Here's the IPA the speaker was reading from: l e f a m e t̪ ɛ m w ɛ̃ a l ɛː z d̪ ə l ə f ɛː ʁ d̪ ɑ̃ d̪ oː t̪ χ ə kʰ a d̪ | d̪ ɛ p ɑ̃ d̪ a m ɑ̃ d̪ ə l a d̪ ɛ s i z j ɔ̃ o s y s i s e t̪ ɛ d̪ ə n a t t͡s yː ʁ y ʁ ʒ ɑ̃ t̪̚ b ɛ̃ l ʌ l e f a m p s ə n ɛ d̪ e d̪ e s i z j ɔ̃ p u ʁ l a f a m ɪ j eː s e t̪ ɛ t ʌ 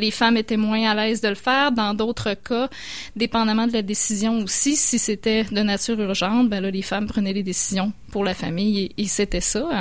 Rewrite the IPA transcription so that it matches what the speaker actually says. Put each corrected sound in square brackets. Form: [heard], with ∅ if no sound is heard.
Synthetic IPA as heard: l e f a m e t̪ ɛ m w ɛ̃ a l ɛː z d̪ ə l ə f ɛː ʁ d̪ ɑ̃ d̪ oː t̪ χ ə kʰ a [∅] | d̪ [e] p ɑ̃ d̪ a m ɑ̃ d̪ ə l a d̪ [e] s i z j ɔ̃ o s [i] s i s e t̪ ɛ d̪ ə n a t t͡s yː ʁ y ʁ ʒ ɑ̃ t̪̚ b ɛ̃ l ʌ l e f a m p [χ] ə n ɛ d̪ e d̪ e s i z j ɔ̃ p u ʁ l a f a m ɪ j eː s e t̪ ɛ [s] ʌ